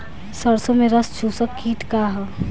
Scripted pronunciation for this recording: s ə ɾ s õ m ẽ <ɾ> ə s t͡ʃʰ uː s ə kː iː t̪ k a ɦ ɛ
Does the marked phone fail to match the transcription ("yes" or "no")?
no